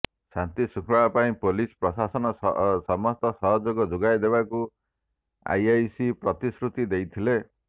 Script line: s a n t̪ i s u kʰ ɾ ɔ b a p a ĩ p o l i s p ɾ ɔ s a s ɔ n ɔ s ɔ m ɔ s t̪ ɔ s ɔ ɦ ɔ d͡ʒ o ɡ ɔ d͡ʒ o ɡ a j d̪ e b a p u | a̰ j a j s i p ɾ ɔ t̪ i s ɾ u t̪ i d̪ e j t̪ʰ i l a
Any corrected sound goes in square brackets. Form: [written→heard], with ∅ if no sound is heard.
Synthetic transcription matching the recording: s a n t̪ i s u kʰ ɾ ɔ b a p a ĩ p o l i s p ɾ ɔ s a s ɔ n ɔ s ɔ m ɔ s t̪ ɔ s ɔ ɦ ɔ d͡ʒ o ɡ ɔ d͡ʒ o ɡ a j d̪ e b a [p→k] u | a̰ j a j s i p ɾ ɔ t̪ i s ɾ u t̪ i d̪ e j t̪ʰ i l [a→e]